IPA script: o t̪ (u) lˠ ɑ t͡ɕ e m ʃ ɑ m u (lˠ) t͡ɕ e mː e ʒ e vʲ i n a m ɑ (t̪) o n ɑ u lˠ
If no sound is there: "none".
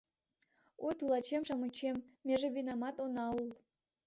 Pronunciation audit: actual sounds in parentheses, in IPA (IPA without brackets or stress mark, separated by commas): u, none, t̪